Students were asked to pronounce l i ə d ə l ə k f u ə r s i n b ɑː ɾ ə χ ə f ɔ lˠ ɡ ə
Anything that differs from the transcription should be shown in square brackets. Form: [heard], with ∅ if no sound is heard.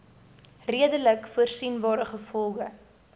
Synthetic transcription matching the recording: [r] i ə d ə l ə k f u ə r s i n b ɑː ɾ ə χ ə f ɔ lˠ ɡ ə